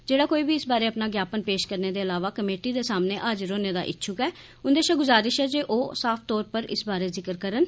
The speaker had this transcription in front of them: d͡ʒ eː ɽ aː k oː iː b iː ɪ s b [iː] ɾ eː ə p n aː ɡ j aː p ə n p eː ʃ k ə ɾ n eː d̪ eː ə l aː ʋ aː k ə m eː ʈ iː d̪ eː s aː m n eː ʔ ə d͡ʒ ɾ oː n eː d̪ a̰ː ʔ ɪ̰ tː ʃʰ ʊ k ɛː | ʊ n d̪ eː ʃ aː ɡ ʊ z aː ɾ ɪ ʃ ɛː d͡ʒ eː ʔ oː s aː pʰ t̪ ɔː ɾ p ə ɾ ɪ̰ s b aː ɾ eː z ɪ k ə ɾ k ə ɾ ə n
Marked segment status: incorrect: aː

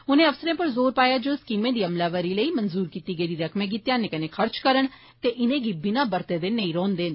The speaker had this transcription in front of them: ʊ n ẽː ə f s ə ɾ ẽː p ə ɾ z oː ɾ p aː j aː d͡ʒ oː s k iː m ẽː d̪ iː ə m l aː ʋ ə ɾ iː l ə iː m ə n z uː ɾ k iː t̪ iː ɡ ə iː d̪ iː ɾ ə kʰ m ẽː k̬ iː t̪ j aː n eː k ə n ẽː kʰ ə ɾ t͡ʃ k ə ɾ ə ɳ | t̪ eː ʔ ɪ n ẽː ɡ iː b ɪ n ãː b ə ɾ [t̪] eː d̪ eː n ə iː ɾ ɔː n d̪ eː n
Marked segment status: correct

